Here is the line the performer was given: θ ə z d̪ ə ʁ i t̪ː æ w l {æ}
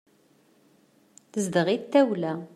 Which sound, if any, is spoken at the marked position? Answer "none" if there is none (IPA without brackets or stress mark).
æ